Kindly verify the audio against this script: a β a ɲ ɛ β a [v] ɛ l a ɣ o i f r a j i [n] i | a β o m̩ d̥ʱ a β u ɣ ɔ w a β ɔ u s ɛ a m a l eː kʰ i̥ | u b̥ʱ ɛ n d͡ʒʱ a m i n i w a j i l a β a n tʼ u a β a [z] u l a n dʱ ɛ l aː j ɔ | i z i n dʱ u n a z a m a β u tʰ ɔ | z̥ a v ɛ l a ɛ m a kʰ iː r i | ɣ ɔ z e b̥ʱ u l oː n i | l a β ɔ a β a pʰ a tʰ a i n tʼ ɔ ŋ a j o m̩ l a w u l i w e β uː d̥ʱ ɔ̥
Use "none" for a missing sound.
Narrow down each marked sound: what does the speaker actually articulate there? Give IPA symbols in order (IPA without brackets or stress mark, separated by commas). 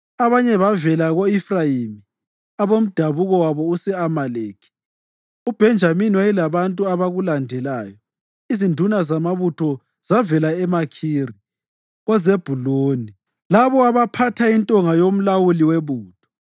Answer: v, m, ɣ